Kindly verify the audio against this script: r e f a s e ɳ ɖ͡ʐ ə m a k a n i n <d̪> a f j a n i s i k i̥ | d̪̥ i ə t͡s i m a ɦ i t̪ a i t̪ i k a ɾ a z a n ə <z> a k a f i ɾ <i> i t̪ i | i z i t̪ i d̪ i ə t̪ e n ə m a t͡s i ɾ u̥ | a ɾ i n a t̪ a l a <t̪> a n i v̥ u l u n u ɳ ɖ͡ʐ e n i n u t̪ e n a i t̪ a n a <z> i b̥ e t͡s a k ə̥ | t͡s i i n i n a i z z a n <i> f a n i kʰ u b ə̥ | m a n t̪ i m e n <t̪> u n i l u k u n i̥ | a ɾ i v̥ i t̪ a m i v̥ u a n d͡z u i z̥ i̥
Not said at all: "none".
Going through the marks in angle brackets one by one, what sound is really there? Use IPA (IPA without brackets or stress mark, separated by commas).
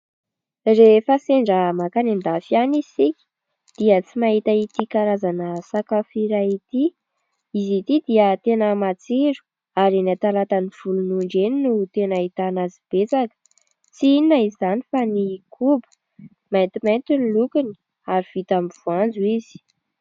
d̪, s, a, t̪, z, i, t̪